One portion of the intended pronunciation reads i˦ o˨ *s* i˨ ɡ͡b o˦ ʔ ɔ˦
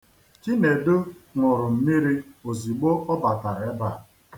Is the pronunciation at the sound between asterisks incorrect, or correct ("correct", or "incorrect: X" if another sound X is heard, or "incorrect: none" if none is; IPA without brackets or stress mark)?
incorrect: z